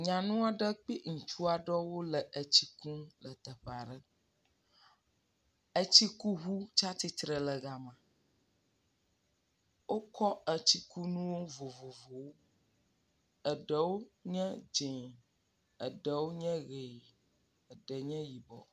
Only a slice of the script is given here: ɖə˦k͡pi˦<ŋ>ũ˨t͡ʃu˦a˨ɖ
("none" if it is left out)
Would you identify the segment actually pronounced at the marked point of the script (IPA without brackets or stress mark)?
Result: ŋ